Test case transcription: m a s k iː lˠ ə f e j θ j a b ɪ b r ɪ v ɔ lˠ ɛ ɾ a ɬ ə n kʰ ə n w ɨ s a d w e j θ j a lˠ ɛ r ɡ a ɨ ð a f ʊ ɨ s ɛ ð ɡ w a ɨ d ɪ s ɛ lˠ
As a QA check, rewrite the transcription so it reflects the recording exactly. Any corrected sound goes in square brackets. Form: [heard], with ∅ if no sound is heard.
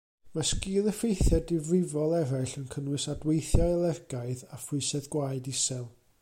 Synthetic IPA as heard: m a s k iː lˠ ə f e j θ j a [d] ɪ [v] r ɪ v ɔ lˠ ɛ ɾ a ɬ ə n kʰ ə n w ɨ s a d w e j θ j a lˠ ɛ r ɡ a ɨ ð a f ʊ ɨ s ɛ ð ɡ w a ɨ d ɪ s ɛ lˠ